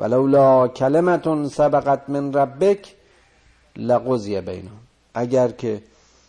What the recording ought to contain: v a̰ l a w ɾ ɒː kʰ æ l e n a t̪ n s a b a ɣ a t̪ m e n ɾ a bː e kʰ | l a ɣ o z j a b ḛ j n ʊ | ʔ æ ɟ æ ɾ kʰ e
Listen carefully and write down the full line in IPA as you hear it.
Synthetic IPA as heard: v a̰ l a w l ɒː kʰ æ l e m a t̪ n s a b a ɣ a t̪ m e n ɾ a bː e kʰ | l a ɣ o z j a b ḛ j n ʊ | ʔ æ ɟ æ ɾ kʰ e